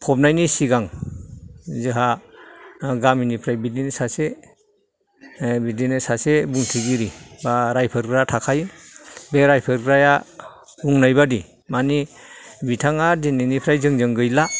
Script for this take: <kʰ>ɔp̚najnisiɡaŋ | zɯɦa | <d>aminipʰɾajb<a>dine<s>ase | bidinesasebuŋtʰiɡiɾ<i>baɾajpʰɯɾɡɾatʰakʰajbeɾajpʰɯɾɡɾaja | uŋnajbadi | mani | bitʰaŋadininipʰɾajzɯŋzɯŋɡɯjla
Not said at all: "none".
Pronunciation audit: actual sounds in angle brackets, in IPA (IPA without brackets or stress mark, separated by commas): pʰ, ɡ, i, s, i